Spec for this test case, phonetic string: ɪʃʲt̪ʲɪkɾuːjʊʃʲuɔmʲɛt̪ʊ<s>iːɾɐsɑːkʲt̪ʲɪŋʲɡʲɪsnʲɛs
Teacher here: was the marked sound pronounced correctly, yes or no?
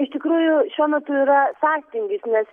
no